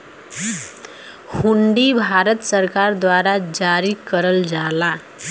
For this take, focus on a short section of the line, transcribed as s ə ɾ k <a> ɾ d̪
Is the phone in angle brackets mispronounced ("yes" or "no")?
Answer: no